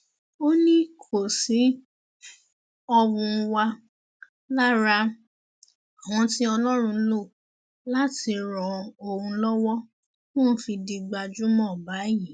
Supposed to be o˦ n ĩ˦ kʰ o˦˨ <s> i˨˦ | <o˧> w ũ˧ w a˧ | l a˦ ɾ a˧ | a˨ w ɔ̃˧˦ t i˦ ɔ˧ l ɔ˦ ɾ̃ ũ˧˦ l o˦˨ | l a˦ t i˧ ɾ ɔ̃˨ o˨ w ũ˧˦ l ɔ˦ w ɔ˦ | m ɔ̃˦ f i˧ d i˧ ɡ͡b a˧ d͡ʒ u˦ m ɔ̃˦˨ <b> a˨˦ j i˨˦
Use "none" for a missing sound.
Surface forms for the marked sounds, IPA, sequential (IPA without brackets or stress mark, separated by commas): s, ɔ˧, b